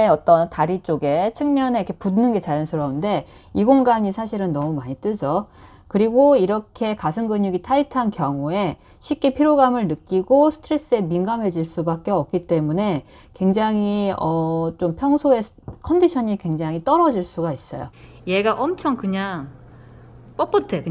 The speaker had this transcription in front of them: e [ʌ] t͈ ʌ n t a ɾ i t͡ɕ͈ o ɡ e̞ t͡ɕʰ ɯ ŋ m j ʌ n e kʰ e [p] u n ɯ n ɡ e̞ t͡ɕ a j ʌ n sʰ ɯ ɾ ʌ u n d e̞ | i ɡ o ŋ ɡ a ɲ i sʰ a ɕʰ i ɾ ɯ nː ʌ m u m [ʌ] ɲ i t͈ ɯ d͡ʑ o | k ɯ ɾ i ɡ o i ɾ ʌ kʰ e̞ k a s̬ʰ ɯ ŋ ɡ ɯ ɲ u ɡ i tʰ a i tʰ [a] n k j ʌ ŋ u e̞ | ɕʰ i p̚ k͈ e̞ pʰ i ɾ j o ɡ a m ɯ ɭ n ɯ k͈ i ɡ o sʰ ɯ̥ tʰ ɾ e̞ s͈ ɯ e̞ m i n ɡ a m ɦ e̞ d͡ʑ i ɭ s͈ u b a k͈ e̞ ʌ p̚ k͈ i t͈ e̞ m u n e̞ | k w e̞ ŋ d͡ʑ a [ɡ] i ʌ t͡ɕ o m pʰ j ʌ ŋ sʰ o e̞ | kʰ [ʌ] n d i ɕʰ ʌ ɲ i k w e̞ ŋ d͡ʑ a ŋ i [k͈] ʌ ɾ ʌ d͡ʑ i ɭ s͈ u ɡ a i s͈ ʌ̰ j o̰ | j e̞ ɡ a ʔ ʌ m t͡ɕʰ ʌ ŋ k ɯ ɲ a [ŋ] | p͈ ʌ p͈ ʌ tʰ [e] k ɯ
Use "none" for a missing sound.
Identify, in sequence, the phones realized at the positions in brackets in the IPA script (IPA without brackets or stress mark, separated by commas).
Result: ʌ, p, a, a, ŋ, ʌ, t͈, ŋ, e